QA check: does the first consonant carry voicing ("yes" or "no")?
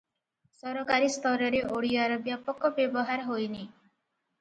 no